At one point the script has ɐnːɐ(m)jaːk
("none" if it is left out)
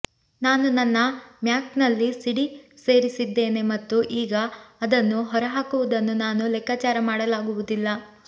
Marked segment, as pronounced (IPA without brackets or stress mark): m